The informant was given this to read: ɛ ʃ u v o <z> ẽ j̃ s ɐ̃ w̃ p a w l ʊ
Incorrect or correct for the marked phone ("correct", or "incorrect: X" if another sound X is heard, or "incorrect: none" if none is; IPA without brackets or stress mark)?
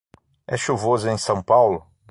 correct